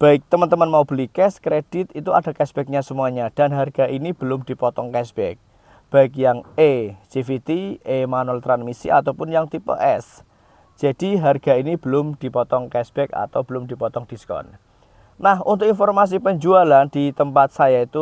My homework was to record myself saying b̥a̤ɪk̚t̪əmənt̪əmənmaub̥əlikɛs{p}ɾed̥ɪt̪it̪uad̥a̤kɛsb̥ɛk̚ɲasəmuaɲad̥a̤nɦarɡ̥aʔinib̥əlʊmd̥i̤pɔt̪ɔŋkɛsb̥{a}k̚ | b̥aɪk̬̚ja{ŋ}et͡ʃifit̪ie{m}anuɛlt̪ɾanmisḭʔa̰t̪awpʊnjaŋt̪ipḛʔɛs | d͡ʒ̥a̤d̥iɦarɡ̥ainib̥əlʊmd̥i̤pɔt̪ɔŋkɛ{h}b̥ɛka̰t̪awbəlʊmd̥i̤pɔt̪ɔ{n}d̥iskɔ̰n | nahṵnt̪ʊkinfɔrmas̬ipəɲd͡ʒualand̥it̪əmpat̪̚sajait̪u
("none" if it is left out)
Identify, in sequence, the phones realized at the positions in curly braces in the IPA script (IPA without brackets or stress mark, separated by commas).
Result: k, ɛ, ŋ, m, s, ŋ